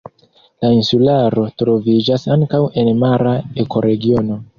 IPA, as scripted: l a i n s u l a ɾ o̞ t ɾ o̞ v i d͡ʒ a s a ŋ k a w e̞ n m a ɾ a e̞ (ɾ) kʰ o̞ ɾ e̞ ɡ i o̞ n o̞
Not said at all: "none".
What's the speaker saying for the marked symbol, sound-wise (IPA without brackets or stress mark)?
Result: none